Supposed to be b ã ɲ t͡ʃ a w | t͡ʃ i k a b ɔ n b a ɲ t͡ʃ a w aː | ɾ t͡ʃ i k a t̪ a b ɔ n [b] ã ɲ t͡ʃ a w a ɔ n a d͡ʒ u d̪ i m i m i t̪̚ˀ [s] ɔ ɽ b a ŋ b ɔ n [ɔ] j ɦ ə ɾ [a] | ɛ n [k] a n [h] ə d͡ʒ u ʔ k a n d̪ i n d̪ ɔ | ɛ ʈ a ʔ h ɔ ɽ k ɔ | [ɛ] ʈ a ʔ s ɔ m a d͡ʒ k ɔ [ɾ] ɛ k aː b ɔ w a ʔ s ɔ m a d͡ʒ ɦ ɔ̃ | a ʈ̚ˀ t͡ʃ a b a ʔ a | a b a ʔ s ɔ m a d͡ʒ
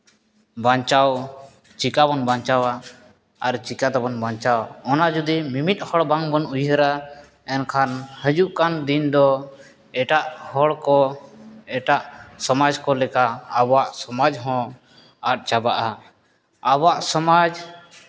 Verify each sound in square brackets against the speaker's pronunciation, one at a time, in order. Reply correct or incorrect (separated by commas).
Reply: correct, incorrect, incorrect, correct, incorrect, correct, correct, incorrect